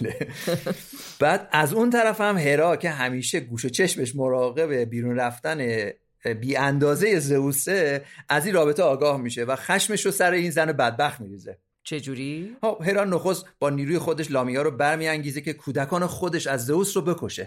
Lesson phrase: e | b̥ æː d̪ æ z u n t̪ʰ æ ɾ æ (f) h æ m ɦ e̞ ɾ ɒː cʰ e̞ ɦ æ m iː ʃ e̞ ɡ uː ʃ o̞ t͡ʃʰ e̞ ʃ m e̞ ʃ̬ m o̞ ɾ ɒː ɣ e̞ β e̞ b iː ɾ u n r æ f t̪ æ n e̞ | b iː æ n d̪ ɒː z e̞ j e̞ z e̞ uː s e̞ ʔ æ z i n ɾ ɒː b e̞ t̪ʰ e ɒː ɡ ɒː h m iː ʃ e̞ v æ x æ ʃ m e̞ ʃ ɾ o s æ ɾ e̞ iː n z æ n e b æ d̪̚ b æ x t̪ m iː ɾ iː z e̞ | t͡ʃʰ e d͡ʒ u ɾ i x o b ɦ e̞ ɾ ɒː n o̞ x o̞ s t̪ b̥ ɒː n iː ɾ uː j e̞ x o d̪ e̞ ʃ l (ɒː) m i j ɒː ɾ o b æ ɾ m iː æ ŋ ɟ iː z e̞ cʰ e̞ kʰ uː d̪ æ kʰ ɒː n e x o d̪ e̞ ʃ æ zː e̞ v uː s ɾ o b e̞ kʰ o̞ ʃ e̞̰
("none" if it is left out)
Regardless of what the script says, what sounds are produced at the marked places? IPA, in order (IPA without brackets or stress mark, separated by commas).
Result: f, ɒː